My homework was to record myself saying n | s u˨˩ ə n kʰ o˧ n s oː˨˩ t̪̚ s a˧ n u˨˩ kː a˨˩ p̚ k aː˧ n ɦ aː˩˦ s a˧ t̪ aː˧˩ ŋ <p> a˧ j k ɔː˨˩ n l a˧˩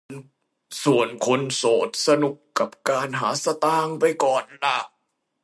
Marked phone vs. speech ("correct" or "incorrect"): correct